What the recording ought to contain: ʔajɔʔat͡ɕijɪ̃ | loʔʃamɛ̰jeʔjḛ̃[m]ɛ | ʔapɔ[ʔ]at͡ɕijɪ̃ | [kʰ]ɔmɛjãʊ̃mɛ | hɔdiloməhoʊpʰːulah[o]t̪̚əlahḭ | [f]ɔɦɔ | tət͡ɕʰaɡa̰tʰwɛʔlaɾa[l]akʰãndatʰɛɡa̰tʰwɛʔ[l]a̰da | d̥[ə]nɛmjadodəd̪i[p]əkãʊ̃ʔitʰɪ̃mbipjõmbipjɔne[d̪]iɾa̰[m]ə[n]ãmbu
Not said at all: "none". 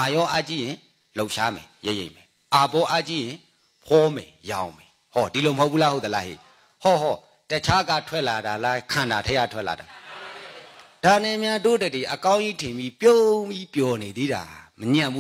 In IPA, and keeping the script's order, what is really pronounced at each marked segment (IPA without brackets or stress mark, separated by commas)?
m, ʔ, pʰ, o, h, l, l, a, ʔ, d̪, m, ɲ